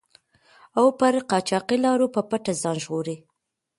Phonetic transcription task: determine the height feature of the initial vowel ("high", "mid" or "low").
low